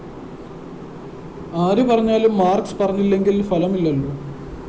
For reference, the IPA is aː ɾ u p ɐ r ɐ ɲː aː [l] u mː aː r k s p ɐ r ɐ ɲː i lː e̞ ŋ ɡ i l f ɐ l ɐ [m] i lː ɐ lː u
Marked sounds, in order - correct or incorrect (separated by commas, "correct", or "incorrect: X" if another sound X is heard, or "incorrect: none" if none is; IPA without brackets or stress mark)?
correct, correct